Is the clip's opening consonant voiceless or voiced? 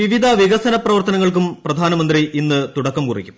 voiced